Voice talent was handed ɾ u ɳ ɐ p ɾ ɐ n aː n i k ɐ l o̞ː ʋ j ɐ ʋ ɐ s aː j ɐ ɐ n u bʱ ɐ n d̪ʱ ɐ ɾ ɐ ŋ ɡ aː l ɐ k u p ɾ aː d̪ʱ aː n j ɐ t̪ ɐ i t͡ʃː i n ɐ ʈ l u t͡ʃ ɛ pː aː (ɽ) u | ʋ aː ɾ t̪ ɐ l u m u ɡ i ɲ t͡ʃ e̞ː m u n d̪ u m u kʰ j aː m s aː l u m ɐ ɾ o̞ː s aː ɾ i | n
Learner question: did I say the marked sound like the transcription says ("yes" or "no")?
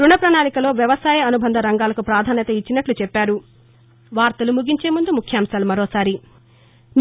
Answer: no